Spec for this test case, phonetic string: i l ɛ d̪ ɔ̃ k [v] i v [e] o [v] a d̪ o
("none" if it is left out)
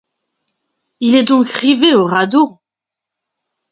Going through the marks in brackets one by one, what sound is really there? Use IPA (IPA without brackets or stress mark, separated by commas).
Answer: ʁ, e, ʁ